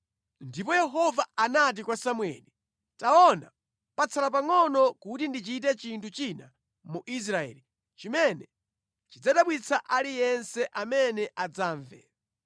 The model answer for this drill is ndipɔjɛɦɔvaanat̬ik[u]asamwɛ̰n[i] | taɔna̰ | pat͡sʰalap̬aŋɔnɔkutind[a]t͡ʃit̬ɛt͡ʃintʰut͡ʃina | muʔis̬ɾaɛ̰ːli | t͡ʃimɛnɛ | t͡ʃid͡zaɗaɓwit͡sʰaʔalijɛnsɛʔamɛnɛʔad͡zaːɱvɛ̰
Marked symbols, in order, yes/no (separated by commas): no, yes, no